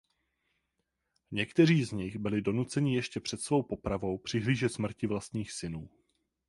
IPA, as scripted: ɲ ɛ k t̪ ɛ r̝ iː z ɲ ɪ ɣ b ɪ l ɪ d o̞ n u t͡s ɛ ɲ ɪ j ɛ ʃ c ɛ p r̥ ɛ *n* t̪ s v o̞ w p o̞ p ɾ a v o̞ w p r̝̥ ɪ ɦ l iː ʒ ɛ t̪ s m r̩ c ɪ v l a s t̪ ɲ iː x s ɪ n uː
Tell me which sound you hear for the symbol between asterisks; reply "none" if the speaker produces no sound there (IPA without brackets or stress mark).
none